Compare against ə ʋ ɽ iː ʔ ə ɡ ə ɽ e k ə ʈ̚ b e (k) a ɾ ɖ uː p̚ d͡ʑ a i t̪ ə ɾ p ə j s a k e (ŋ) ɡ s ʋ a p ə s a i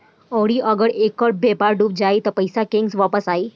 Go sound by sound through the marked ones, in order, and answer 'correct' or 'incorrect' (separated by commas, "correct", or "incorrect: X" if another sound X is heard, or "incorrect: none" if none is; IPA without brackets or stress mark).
incorrect: p, correct